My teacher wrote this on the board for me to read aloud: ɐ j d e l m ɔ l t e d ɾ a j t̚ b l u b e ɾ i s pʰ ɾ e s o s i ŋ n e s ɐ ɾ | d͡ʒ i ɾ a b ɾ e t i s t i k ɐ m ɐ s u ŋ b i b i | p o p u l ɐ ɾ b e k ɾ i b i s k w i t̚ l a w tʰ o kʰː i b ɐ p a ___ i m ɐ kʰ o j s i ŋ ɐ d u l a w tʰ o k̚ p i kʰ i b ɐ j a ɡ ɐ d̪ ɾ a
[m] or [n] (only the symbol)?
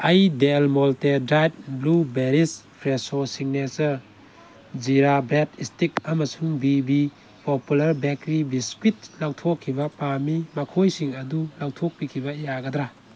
m